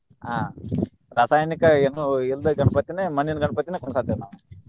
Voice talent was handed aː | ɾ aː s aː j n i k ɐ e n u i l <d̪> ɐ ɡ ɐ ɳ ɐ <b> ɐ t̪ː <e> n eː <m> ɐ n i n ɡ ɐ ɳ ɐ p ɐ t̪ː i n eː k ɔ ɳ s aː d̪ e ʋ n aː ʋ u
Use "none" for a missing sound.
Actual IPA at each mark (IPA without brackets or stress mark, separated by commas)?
d̪, p, i, m